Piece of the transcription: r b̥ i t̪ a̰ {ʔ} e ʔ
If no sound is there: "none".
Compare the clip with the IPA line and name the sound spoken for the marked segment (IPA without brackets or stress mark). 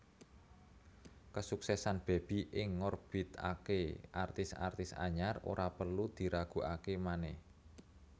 k